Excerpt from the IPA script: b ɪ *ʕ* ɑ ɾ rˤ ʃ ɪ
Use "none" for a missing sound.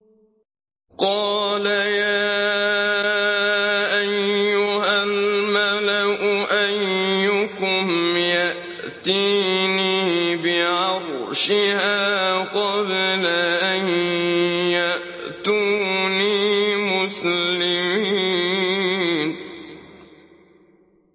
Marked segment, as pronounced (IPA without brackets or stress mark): ʕ